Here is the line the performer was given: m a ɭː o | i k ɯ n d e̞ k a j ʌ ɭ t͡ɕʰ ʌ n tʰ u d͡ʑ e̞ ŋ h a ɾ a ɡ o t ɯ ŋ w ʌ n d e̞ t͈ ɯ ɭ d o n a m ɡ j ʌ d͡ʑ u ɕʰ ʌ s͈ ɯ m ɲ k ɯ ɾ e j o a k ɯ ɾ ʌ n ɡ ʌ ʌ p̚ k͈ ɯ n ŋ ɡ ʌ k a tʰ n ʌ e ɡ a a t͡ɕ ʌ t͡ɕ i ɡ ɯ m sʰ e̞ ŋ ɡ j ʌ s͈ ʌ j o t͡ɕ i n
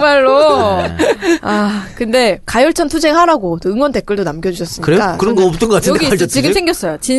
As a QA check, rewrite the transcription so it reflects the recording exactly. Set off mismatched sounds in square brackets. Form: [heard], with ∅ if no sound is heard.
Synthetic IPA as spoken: m a ɭː o | [a] k ɯ n d e̞ k a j ʌ ɭ t͡ɕʰ ʌ n tʰ u d͡ʑ e̞ ŋ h a ɾ a ɡ o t ɯ ŋ w ʌ n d e̞ [k͈] ɯ ɭ d o n a m ɡ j ʌ d͡ʑ u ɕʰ ʌ s͈ ɯ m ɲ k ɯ ɾ e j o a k ɯ ɾ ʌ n ɡ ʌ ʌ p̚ [t͈] ɯ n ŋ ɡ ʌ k a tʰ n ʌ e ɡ [i] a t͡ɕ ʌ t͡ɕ i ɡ ɯ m sʰ e̞ ŋ ɡ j ʌ s͈ ʌ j o t͡ɕ i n